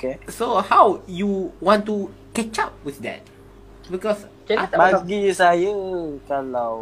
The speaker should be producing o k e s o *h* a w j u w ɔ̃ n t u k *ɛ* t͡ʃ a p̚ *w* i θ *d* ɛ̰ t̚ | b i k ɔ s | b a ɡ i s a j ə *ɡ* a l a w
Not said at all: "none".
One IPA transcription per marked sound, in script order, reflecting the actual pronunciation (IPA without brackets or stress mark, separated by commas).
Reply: h, ɛ, w, d, k